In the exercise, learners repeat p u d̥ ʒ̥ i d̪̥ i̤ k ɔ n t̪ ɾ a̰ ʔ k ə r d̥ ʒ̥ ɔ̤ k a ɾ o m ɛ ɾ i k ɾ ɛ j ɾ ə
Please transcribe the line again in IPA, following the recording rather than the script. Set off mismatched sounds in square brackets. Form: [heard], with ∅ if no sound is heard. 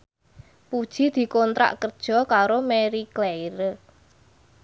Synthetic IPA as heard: p u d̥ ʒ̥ i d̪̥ i̤ k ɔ n t̪ ɾ a̰ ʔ k ə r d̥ ʒ̥ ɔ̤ k a ɾ o m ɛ ɾ i k [l] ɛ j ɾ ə